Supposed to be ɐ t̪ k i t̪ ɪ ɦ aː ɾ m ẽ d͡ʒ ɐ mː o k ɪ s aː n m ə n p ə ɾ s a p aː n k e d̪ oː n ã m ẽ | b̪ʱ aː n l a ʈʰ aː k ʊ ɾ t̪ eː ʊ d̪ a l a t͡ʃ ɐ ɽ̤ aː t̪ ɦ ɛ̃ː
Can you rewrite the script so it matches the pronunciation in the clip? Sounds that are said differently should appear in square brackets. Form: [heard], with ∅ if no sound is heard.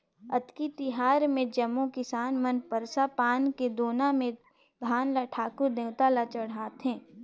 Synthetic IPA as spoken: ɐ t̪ k i t̪ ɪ ɦ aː ɾ m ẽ d͡ʒ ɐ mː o k ɪ s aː n m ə n p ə ɾ s a p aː n k e d̪ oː n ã m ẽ | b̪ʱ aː n l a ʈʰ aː k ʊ ɾ [d̪] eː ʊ [t̪] a l a t͡ʃ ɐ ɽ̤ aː t̪ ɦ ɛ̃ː